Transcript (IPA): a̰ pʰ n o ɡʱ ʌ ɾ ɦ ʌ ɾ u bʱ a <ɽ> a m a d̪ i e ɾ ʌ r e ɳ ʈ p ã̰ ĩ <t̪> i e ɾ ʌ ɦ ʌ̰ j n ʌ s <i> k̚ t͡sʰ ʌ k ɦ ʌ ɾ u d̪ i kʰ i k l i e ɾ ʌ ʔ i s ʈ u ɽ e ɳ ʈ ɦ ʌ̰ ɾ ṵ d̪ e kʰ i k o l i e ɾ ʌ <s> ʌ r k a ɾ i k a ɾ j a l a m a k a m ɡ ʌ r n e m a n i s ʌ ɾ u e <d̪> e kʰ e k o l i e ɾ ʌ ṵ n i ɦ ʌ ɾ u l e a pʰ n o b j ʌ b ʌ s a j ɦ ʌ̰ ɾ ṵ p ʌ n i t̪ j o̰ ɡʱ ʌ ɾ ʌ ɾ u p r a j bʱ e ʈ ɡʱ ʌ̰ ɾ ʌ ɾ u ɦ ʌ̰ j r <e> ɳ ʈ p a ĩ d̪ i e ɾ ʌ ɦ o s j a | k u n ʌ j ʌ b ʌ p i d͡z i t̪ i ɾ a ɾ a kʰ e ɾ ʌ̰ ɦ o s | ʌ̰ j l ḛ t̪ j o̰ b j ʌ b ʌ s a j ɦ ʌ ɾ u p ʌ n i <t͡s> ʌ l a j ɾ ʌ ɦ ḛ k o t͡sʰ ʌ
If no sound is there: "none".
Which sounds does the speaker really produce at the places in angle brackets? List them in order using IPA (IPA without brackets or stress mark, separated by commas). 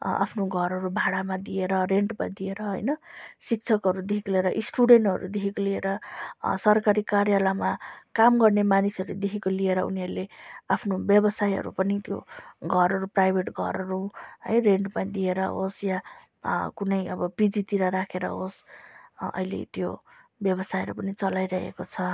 ɽ, d̪, i, s, d̪, e, t͡s